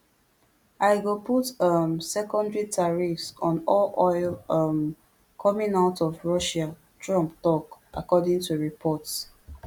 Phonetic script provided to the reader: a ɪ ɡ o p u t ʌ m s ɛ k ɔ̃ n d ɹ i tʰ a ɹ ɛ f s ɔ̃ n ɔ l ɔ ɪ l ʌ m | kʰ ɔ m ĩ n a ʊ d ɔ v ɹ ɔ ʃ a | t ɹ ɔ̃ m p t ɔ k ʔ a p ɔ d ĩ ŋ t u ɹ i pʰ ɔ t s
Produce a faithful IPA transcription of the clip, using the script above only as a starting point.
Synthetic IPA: a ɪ ɡ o p u t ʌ m s ɛ k ɔ̃ n d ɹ i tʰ a ɹ i f s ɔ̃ n ɔ l ɔ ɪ l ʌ m | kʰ ɔ m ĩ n a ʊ t ɔ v ɹ ɔ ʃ a | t ɹ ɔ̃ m p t ɔ k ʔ a k ɔ d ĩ ŋ t u ɹ i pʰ ɔ t s